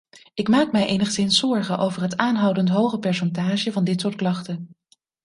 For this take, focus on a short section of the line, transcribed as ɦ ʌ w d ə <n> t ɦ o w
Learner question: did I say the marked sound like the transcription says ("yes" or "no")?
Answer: yes